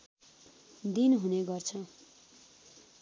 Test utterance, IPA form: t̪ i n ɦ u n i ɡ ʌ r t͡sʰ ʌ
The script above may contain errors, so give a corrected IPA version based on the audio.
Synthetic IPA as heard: d̪ i n ɦ u n e ɡ ʌ r t͡sʰ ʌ